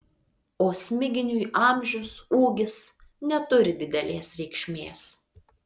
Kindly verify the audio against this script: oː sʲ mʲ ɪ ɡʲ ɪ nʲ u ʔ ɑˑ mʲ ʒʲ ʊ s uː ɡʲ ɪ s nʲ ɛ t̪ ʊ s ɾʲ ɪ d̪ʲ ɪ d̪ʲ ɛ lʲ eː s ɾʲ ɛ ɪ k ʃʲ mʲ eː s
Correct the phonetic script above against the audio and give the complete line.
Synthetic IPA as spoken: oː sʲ mʲ ɪ ɡʲ ɪ nʲ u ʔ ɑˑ mʲ ʒʲ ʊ s uː ɡʲ ɪ s nʲ ɛ t̪ ʊ ɾʲ ɪ d̪ʲ ɪ d̪ʲ ɛ lʲ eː s ɾʲ ɛ ɪ k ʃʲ mʲ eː s